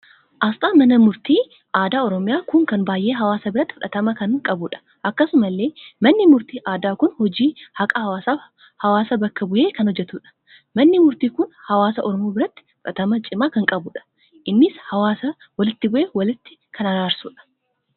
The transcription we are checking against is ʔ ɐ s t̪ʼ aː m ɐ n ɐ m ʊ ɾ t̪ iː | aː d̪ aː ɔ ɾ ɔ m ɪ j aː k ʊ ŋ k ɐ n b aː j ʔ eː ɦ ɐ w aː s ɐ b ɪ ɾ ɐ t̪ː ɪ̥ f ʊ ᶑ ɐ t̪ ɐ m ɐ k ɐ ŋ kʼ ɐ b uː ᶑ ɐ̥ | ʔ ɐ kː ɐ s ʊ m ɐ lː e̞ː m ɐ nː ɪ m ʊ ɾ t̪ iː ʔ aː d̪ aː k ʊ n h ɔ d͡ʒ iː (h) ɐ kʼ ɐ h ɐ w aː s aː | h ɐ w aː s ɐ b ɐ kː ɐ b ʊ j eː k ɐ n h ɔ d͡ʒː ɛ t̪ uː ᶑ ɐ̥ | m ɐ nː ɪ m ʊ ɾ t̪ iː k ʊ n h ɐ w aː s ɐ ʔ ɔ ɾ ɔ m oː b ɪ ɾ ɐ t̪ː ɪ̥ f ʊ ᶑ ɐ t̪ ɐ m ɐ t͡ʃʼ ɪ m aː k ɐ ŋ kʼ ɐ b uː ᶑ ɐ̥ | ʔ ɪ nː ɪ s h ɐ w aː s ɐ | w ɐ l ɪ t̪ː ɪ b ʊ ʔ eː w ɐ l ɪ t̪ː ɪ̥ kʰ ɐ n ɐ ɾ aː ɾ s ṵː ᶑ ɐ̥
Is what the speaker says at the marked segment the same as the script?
yes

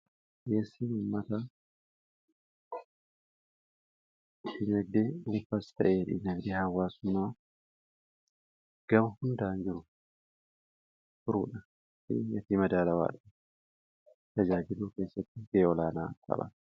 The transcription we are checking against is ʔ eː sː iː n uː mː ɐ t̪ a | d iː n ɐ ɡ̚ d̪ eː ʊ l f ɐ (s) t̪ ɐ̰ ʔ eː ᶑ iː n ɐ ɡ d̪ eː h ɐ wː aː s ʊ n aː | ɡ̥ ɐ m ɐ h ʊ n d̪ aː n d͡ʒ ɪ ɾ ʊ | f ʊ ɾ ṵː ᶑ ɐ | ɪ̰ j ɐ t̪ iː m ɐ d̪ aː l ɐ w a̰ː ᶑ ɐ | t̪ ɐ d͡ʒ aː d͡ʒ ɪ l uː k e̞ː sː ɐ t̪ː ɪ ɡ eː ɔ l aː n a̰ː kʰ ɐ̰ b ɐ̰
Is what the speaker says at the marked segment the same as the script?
yes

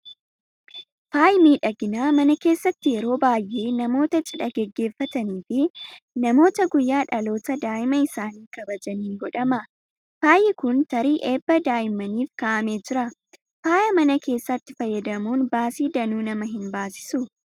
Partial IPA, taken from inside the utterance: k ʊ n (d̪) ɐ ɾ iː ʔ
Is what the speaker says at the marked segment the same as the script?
no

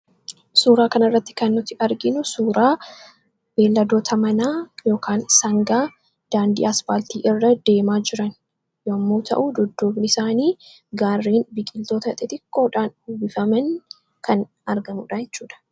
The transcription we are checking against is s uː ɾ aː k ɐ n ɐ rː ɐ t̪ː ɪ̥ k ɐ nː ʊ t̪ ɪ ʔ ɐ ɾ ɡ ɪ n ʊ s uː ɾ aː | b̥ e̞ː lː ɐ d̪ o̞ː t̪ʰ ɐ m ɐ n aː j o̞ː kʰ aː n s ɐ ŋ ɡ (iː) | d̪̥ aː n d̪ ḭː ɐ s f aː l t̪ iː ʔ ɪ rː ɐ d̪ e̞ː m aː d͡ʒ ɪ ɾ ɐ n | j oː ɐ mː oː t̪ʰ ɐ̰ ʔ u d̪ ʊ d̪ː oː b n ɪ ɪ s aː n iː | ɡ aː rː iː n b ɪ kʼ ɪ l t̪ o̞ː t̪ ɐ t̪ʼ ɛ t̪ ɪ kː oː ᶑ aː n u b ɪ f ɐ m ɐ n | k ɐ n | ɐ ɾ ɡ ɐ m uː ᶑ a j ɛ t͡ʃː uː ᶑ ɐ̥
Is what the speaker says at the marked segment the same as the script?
no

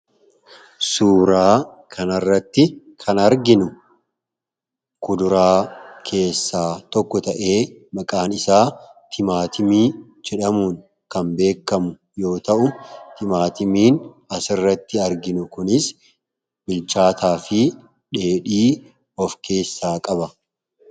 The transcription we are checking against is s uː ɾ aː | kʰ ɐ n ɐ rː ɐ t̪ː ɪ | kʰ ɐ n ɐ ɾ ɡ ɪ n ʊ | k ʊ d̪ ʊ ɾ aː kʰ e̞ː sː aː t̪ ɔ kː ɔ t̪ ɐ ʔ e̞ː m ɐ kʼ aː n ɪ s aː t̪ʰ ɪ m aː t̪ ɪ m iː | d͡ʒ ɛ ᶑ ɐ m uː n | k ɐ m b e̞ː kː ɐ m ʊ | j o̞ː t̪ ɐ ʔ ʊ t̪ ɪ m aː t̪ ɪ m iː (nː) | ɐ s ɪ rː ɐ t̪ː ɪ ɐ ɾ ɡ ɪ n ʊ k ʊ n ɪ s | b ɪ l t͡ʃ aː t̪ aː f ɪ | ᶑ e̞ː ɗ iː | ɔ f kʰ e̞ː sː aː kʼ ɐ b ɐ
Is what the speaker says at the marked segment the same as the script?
no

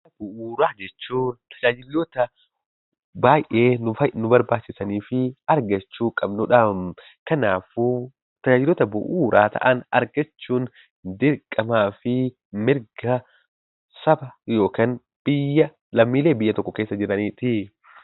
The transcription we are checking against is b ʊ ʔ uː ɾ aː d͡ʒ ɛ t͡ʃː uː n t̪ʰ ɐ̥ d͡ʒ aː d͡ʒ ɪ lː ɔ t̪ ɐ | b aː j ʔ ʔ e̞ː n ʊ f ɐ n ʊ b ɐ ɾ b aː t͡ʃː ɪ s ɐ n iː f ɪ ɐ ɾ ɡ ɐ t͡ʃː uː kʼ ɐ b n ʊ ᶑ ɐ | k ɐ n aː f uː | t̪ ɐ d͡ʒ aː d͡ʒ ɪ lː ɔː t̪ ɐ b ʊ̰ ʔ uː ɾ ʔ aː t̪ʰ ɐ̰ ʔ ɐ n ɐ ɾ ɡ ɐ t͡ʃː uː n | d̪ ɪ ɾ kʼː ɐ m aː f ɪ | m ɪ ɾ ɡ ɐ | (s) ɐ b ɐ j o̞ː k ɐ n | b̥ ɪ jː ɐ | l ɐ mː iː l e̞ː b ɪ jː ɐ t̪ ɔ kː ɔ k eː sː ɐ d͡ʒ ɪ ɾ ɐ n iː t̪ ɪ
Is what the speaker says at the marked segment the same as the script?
yes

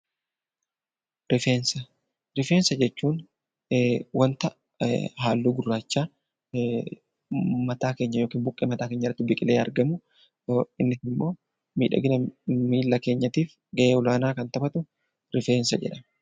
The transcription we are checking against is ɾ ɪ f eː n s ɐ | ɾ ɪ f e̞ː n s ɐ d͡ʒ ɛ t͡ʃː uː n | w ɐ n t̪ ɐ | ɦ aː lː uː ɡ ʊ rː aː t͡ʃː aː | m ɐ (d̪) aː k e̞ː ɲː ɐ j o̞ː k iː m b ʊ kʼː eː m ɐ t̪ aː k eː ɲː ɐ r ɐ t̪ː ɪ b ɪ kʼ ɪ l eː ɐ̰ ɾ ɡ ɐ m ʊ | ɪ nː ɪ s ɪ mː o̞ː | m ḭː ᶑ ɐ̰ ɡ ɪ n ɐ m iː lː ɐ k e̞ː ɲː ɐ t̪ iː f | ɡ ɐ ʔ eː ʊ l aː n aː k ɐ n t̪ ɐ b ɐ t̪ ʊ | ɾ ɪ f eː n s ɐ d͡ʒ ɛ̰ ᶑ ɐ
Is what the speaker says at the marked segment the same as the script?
no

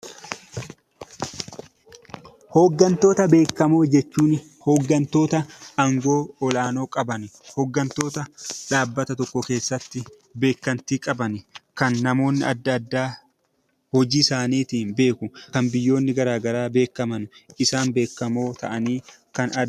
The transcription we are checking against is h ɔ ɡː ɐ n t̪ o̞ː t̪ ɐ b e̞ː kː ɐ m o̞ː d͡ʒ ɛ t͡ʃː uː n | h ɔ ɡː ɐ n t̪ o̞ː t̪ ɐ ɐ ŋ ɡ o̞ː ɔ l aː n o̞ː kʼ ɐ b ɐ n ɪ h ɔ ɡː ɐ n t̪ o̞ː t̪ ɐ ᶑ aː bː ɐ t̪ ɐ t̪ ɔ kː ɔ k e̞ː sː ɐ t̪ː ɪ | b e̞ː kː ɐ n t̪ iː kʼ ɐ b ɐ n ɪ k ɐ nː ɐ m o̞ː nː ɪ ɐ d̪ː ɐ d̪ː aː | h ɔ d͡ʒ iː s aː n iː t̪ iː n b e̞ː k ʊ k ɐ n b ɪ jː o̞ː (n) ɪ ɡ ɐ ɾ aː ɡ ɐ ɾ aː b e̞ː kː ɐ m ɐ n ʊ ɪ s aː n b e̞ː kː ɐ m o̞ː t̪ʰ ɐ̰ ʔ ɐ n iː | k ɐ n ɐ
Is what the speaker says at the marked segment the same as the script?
no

